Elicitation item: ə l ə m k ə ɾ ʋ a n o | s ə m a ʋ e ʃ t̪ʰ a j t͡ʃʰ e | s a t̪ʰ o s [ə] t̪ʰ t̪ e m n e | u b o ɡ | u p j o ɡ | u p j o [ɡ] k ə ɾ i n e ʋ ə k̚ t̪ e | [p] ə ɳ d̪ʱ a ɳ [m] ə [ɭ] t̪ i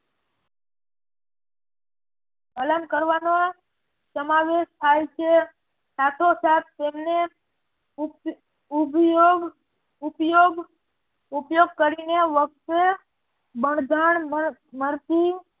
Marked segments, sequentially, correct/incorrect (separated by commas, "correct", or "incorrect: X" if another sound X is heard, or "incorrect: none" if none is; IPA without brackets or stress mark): incorrect: a, correct, incorrect: b, correct, incorrect: ɾ